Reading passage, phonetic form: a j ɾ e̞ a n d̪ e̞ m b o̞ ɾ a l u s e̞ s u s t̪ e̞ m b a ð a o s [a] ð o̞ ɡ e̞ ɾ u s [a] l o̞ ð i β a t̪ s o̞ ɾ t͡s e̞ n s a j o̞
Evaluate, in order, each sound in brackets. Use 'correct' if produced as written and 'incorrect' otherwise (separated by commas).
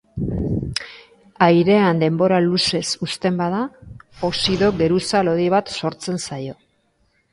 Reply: incorrect, correct